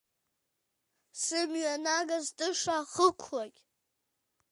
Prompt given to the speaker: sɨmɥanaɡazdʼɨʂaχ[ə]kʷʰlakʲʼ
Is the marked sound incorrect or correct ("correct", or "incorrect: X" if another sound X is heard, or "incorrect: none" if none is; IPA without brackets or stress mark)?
correct